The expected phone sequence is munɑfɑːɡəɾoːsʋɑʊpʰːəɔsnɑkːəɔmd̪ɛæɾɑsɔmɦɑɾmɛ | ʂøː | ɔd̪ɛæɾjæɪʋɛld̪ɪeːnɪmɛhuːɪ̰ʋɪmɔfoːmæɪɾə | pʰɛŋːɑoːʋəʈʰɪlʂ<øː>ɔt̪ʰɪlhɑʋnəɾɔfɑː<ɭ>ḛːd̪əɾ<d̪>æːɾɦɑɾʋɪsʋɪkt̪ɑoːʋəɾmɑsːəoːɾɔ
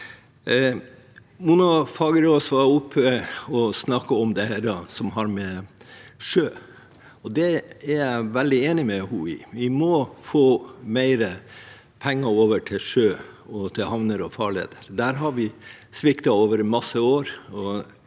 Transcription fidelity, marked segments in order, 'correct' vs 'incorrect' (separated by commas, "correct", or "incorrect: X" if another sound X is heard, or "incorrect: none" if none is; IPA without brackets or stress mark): correct, correct, correct